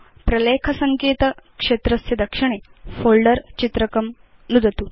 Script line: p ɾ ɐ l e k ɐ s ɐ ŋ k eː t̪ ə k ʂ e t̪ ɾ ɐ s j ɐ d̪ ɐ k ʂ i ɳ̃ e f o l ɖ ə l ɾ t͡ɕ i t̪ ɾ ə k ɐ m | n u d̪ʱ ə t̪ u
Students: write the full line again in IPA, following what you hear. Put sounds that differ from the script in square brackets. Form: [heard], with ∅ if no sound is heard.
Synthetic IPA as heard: p ɾ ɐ l e [kʰ] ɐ s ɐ ŋ k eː t̪ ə k ʂ e t̪ ɾ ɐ s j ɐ d̪ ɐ k ʂ i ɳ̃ e f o l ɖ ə [∅] ɾ t͡ɕ i t̪ ɾ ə k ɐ m | n u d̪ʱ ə t̪ u